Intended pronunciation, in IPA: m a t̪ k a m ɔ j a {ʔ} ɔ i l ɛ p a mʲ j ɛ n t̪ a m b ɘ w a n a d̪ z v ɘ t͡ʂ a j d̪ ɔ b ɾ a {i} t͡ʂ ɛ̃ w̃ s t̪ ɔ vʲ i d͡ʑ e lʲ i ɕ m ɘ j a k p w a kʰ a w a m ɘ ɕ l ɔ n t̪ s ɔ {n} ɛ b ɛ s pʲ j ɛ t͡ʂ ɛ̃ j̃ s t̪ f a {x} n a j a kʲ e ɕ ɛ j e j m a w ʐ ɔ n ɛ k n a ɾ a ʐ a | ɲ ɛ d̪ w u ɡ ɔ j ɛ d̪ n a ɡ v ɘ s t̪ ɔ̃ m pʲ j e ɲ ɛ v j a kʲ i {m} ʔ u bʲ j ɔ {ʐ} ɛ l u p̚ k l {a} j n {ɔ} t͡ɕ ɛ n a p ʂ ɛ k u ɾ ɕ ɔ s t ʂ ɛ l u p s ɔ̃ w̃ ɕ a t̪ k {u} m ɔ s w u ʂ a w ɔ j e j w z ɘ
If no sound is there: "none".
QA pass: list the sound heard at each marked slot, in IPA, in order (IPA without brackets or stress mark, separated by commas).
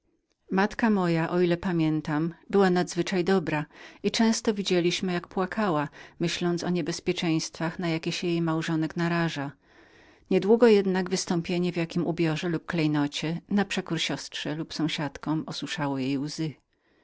ʔ, i, ɲ, x, m, ʐ, ɛ, ɔ, ɔ